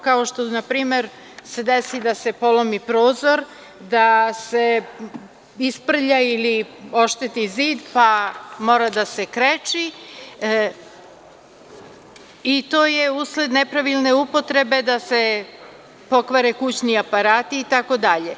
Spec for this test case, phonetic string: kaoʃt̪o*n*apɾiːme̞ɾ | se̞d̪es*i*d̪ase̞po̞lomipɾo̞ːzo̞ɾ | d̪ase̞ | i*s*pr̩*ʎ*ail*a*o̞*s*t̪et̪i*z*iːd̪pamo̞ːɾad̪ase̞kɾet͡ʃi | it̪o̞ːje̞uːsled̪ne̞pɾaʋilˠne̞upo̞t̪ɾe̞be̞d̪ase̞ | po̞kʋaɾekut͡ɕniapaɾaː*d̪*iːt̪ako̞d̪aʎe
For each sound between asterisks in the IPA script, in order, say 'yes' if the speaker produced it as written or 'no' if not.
yes, yes, yes, yes, no, no, yes, no

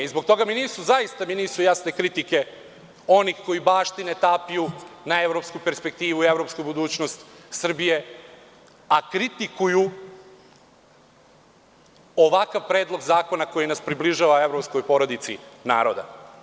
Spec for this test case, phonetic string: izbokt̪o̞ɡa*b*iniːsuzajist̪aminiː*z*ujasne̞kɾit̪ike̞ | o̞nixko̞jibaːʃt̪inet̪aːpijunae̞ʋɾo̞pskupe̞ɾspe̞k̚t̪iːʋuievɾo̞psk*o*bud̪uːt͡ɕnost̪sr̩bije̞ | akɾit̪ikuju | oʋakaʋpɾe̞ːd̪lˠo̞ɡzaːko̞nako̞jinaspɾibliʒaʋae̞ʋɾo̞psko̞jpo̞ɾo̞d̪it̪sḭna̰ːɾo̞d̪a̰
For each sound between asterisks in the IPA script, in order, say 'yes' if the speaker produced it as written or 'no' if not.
no, no, no

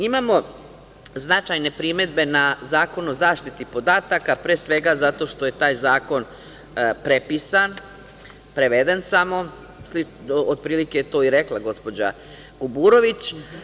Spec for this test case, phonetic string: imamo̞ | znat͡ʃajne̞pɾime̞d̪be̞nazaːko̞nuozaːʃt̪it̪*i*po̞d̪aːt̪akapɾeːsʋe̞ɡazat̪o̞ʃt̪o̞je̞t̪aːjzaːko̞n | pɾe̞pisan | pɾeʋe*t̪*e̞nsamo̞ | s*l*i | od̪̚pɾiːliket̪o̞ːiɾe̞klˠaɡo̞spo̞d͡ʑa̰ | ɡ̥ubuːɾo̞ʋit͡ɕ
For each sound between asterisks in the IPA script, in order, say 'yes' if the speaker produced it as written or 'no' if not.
yes, no, yes

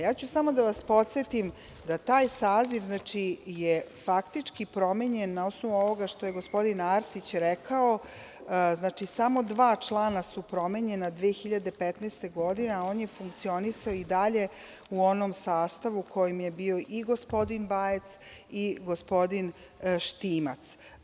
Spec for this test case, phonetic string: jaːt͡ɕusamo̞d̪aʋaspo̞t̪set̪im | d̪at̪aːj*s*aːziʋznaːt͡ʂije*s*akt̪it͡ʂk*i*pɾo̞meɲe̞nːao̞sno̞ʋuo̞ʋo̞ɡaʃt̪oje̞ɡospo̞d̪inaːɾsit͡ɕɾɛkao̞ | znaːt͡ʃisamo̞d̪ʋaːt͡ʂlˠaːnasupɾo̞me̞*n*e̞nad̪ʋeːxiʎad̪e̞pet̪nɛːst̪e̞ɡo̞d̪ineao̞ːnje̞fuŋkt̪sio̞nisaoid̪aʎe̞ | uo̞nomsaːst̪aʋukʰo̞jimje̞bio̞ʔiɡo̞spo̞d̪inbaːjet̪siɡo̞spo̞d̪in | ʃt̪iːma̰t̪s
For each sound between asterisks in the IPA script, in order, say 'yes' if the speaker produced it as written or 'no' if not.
yes, no, yes, no

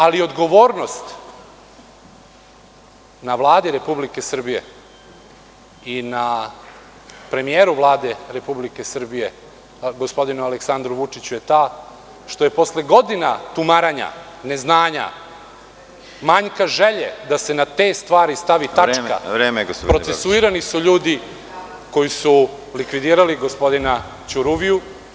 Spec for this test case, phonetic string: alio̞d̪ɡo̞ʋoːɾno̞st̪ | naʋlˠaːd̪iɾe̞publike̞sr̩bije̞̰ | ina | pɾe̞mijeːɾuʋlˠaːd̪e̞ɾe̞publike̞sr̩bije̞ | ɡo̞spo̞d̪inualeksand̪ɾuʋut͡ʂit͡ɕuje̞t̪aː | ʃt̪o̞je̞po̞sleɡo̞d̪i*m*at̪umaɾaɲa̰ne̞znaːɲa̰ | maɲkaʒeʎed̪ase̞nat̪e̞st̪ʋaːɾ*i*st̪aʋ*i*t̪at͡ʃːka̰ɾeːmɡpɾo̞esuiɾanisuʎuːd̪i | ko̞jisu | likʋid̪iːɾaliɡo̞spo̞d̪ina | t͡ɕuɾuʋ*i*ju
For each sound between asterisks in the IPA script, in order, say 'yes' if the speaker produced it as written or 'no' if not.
no, yes, yes, yes

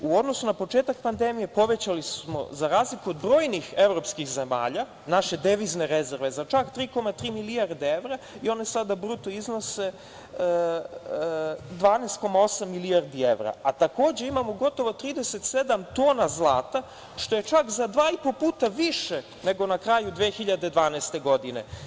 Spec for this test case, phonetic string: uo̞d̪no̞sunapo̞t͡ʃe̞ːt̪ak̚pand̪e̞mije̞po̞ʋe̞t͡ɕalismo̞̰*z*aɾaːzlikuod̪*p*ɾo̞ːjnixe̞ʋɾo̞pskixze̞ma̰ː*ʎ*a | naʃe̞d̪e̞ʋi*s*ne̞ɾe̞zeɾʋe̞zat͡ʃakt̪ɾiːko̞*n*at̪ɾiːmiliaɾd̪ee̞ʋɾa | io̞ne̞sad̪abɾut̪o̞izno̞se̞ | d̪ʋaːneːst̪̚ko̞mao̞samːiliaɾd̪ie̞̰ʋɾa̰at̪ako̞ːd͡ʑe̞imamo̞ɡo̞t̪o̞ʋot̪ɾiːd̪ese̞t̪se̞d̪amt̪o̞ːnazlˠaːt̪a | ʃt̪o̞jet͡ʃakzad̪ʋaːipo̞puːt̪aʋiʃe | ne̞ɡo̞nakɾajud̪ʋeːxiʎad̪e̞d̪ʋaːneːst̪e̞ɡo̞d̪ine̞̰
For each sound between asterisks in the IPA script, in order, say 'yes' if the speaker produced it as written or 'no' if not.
yes, no, yes, no, no

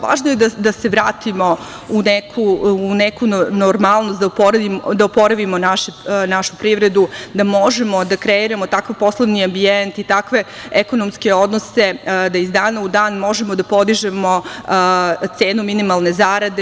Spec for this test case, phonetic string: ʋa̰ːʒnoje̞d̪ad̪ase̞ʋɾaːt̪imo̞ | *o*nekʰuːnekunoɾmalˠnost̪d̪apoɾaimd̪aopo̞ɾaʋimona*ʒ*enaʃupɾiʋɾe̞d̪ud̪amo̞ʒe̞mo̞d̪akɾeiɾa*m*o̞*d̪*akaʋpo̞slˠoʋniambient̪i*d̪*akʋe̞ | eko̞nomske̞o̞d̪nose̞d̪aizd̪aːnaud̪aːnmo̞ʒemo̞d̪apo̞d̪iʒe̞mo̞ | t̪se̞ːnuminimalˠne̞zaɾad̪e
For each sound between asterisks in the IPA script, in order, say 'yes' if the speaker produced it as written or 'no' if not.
no, no, yes, no, no

